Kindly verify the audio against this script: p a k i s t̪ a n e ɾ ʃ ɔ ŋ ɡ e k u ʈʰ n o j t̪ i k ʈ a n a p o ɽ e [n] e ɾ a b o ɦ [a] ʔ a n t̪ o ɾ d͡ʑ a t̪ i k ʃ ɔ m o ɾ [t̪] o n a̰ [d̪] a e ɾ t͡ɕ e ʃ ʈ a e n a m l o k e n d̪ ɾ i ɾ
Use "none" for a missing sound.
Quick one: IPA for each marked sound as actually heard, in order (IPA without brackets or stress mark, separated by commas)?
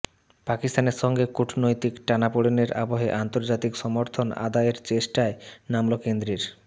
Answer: n, e, t̪ʰ, d̪